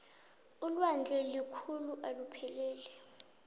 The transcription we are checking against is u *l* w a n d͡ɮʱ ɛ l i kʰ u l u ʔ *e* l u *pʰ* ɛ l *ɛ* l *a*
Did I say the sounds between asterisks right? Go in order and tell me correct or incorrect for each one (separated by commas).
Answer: correct, incorrect, correct, incorrect, incorrect